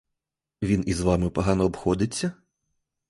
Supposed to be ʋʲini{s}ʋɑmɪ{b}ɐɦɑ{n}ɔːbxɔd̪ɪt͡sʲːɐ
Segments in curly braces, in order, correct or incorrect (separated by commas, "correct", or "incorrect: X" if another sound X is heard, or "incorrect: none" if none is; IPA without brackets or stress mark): incorrect: z, incorrect: p, correct